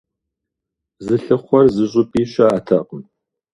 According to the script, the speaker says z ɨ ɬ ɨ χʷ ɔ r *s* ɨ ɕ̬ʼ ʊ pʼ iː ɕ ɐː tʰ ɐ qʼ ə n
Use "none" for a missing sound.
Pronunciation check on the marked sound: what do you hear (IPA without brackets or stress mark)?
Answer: z